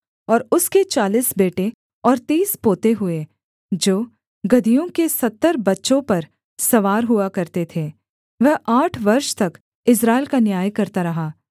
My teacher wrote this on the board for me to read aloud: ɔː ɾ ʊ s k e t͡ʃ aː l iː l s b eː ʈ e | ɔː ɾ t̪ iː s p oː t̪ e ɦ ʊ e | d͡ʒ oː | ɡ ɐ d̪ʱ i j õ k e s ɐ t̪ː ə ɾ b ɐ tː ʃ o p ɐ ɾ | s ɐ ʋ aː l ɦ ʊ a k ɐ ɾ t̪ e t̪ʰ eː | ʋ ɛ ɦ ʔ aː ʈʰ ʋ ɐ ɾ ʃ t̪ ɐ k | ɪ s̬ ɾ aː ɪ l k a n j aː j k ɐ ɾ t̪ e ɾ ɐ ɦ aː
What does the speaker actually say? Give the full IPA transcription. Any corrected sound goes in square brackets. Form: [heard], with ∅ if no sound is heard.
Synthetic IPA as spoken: ɔː ɾ ʊ s k e t͡ʃ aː l iː [∅] s b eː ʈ e | ɔː ɾ t̪ iː s p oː t̪ e ɦ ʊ e | d͡ʒ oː | ɡ ɐ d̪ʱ i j õ k e s ɐ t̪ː ə ɾ b ɐ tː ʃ [õ] p ɐ ɾ | s ɐ ʋ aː [ɾ] ɦ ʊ a k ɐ ɾ t̪ e t̪ʰ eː | ʋ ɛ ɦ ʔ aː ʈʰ ʋ ɐ ɾ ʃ t̪ ɐ k | ɪ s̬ ɾ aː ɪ l k a n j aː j k ɐ ɾ t̪ [a] ɾ ɐ ɦ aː